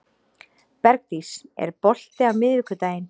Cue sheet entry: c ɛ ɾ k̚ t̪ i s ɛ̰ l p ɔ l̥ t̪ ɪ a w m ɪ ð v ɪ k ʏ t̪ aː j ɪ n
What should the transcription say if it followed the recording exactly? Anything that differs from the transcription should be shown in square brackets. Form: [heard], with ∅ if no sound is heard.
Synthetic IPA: [p] ɛ ɾ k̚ t̪ i s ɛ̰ [ɾ] p ɔ l̥ t̪ ɪ a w m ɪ ð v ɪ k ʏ t̪ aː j ɪ n